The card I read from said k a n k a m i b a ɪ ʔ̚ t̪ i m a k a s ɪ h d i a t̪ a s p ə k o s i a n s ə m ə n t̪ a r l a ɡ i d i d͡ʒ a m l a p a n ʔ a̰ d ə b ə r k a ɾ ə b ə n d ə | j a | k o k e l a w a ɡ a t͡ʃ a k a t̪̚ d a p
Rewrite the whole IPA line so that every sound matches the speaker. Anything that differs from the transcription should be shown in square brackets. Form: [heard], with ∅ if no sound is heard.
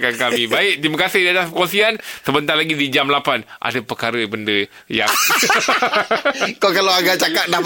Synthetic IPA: k a n k a m i b a ɪ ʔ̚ t̪ i m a k a s ɪ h d i a t̪ a s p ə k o s i a n s ə [b] ə n t̪ a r l a ɡ i d i d͡ʒ a m l a p a n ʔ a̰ d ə [p] ə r k a ɾ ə b ə n d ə | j a | k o k [a] l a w a ɡ a t͡ʃ a k a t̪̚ d a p